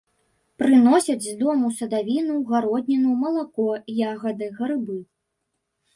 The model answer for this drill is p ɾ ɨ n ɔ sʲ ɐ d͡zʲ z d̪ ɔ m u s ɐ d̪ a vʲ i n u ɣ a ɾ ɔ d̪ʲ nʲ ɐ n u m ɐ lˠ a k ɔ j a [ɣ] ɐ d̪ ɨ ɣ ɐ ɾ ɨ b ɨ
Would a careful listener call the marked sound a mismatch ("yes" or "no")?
no